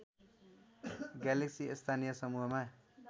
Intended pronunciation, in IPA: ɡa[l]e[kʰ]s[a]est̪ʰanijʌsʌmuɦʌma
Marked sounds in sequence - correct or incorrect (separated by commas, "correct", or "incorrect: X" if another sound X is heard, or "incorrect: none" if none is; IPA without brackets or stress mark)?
correct, incorrect: k, incorrect: i